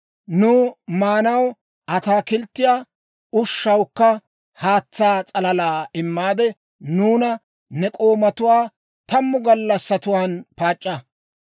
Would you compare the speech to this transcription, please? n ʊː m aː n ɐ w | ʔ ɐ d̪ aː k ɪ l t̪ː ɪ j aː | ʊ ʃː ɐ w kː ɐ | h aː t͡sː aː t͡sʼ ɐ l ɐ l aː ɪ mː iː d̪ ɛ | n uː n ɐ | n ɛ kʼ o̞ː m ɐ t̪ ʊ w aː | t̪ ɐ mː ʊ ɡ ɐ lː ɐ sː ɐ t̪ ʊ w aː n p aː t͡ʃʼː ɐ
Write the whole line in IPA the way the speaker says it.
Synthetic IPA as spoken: n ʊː m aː n ɐ w | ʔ ɐ t̪ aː k ɪ l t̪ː ɪ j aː | ʊ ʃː ɐ w kː ɐ | h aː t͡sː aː t͡sʼ ɐ l ɐ l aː ɪ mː aː d̪ ɛ | n uː n ɐ | n ɛ kʼ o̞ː m ɐ t̪ ʊ w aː | t̪ ɐ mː ʊ ɡ ɐ lː ɐ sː ɐ t̪ ʊ w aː n p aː t͡ʃʼː ɐ